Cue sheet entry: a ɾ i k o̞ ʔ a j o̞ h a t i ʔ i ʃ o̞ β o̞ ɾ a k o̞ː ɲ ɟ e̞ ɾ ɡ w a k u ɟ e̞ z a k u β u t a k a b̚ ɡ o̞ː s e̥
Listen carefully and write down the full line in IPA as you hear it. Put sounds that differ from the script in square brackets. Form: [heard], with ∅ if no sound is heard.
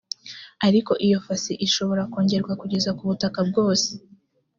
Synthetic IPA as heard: a ɾ i k o̞ ʔ [i] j o̞ [f] a [s] i ʔ i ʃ o̞ β o̞ ɾ a k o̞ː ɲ ɟ e̞ ɾ ɡ w a k u ɟ e̞ z a k u β u t a k a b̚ ɡ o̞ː s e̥

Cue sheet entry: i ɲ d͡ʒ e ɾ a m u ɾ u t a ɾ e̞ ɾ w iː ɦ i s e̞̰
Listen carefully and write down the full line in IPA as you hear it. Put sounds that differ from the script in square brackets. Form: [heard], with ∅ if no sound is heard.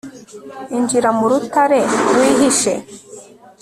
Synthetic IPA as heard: i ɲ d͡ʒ [i] ɾ a m u ɾ u t a ɾ e̞ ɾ w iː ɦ i [ʃ] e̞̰

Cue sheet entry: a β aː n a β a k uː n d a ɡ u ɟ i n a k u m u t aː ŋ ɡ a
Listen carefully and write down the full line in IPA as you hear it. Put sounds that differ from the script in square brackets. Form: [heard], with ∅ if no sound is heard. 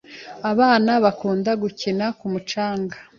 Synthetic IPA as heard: a β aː n a β a k uː n d a ɡ u [c] i n a k u m u [t͡ʃ] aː ŋ ɡ a

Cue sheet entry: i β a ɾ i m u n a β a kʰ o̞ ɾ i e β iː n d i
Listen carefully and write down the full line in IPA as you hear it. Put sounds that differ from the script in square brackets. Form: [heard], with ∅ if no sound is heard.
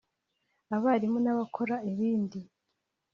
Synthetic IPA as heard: [a] β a ɾ i m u n a β a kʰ o̞ ɾ [a] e β iː n d i

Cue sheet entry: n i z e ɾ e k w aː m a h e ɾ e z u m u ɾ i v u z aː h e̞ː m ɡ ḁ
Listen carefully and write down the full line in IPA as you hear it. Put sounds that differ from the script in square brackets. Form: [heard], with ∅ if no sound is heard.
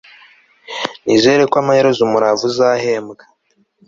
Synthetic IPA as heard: n i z e ɾ e k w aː m a h e ɾ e z u m u ɾ [a] v u z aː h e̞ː m ɡ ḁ

